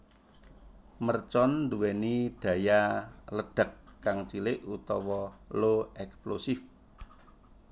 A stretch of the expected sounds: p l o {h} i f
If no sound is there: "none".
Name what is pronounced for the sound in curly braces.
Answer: s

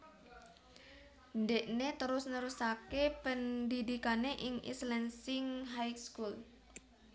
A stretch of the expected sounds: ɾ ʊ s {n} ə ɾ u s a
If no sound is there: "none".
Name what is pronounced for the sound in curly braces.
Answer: n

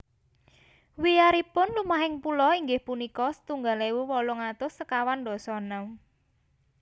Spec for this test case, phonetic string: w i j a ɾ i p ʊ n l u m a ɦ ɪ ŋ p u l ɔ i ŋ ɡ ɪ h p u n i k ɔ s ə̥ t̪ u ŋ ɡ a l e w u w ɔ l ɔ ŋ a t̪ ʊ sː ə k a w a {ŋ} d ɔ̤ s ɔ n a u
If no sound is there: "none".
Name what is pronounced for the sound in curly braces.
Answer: n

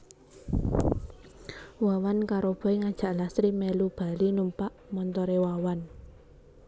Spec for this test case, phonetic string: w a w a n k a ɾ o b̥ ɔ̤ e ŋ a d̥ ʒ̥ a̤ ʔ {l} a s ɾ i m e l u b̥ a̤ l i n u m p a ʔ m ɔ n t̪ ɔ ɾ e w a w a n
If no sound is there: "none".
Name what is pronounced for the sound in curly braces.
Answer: l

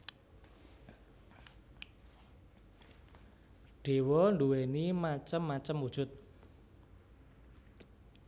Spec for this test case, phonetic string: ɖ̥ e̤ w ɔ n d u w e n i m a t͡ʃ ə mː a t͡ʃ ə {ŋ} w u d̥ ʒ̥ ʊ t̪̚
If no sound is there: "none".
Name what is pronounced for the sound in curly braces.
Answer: m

